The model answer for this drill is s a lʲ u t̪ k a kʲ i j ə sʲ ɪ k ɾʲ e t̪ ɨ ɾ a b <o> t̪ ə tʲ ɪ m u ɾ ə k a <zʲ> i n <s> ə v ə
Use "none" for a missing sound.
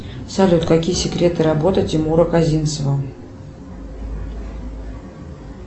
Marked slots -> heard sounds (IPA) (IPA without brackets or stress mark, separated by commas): o, zʲ, s